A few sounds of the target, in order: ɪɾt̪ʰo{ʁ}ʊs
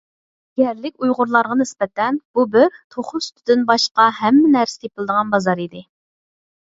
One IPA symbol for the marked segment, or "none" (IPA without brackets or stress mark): χ